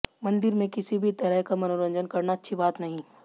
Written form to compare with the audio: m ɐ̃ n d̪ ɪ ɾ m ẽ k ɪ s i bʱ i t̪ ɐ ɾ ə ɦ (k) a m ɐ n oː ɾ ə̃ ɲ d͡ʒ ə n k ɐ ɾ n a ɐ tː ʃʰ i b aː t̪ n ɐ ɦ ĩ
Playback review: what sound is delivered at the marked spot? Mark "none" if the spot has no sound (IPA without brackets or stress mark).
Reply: k